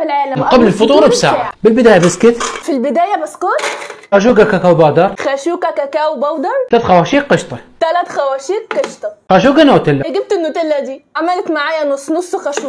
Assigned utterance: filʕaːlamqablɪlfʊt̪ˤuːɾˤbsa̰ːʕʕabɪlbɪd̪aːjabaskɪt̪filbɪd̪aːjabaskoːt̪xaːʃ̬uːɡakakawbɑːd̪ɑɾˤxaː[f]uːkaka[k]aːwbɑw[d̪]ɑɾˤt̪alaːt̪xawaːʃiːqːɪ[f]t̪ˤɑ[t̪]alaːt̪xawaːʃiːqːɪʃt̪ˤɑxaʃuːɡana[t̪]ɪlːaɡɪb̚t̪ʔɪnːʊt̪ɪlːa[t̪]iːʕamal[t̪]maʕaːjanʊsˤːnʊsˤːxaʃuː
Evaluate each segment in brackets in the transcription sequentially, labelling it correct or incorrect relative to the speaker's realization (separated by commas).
incorrect, correct, correct, incorrect, correct, correct, incorrect, correct